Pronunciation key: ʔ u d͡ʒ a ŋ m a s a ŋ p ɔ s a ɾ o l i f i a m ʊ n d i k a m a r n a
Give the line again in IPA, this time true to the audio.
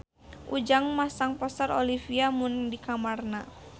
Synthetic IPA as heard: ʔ u d͡ʒ a ŋ m a s a ŋ p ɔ s a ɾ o l i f i a m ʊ n d i k a m a r n a